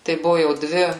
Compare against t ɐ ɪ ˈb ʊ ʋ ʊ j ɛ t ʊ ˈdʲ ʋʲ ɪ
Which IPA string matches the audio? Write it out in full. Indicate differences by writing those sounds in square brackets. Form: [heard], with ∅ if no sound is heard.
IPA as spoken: t ɐ ɪ ˈb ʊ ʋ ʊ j ɛ [∅] ʊ ˈdʲ ʋʲ ɪ